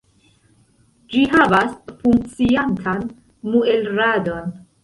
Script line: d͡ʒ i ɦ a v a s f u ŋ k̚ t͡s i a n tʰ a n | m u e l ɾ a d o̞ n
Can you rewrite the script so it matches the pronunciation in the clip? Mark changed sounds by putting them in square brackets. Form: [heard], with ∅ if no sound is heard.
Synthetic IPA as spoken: d͡ʒ i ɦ a v a s f u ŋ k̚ t͡s i a n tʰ a n | m u e l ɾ a d o̞ n